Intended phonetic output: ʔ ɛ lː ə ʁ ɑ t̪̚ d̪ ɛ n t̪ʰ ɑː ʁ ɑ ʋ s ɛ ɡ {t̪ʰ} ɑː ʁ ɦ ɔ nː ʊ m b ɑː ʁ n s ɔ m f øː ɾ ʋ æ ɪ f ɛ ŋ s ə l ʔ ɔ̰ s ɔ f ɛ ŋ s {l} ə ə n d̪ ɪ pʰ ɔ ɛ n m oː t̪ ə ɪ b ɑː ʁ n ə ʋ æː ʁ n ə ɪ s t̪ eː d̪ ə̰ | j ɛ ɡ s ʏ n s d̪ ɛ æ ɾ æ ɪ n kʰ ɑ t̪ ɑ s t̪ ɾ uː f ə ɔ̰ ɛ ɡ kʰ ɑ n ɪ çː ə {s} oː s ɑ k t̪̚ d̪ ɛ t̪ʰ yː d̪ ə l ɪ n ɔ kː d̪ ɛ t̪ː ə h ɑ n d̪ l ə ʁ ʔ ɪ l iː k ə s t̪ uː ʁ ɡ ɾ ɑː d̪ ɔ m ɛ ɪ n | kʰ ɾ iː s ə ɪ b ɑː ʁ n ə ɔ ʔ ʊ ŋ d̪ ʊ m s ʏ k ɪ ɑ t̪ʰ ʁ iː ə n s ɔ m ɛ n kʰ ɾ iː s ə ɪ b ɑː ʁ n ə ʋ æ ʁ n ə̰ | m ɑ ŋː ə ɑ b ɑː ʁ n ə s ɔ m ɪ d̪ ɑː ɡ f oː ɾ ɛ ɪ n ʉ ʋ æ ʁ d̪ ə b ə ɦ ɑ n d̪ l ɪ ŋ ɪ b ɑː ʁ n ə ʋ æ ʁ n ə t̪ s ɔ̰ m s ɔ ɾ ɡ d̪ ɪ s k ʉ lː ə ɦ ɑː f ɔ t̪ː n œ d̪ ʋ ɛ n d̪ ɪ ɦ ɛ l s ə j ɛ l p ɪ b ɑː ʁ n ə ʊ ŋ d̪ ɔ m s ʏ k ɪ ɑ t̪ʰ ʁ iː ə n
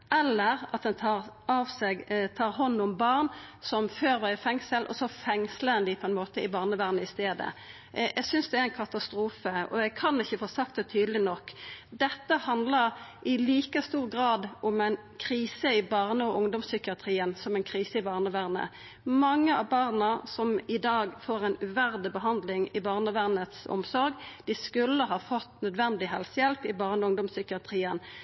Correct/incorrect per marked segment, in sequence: correct, correct, incorrect: f

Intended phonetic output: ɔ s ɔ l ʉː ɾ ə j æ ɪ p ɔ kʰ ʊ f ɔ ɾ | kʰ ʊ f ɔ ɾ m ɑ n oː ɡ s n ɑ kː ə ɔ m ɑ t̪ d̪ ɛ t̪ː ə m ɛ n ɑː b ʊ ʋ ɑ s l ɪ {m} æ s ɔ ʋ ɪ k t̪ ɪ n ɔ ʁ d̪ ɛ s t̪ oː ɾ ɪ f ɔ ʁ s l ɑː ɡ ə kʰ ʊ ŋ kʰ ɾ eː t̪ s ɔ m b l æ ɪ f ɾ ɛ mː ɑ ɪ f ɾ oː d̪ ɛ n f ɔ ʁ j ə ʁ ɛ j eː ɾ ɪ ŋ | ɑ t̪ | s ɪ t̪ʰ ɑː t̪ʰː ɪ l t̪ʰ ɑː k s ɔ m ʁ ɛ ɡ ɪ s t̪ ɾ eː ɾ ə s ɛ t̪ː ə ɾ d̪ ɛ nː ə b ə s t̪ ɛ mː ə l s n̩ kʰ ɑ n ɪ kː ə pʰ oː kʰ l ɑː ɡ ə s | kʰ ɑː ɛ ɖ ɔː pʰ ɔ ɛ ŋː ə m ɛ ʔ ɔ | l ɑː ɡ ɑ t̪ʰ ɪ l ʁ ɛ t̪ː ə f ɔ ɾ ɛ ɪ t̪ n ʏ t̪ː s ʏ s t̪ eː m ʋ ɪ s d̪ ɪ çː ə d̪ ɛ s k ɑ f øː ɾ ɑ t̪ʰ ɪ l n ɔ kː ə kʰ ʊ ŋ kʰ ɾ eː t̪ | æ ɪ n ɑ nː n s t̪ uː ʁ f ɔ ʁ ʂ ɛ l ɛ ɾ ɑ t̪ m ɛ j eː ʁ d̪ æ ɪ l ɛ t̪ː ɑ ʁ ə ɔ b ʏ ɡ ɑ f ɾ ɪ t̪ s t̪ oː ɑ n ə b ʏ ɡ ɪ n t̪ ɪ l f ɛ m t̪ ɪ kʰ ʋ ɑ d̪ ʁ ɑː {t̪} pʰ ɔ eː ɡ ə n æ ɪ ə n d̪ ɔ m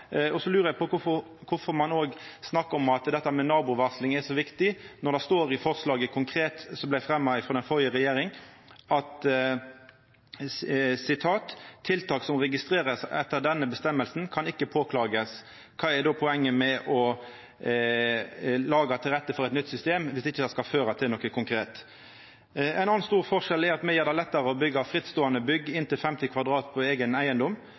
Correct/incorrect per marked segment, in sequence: incorrect: ŋ, correct

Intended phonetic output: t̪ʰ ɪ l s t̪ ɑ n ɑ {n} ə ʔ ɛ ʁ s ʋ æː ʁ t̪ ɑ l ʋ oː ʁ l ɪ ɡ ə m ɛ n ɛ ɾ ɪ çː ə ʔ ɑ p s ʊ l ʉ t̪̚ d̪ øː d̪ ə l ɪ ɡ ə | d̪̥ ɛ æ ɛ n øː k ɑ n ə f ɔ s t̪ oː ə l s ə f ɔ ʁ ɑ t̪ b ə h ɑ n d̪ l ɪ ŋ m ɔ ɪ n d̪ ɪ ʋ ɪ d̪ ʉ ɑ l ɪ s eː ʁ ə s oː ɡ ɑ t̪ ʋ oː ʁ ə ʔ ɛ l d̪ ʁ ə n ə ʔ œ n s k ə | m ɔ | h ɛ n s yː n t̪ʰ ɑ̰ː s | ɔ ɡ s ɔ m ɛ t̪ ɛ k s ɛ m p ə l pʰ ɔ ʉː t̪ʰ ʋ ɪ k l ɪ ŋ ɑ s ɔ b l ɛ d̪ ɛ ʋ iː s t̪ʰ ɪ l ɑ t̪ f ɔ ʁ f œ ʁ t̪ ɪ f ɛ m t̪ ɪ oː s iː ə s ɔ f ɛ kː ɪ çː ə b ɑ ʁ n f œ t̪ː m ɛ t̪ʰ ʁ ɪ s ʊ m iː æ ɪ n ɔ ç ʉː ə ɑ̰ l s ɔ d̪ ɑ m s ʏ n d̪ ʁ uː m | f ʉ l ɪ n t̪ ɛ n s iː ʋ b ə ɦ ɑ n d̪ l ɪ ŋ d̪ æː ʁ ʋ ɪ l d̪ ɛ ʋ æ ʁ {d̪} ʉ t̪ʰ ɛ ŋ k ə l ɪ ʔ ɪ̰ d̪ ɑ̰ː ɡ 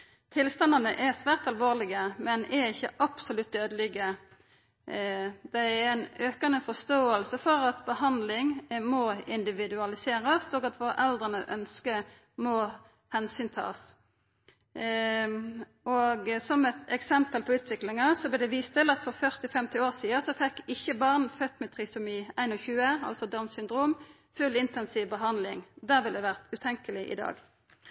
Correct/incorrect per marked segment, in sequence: correct, incorrect: t̪

